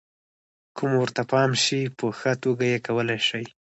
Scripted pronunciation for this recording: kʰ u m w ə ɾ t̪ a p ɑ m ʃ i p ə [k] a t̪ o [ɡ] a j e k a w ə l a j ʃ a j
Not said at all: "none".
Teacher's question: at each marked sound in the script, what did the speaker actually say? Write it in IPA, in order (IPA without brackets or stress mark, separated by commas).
x, ɡ